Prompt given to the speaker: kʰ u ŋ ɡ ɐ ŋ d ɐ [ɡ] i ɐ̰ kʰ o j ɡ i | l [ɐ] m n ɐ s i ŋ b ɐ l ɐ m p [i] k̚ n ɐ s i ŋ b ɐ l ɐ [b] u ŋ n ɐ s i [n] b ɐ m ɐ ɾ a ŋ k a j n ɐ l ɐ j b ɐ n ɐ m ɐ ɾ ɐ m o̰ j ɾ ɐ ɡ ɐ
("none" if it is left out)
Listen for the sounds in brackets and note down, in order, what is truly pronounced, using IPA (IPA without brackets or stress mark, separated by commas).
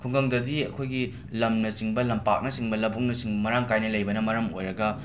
d, ɐ, a, b, ŋ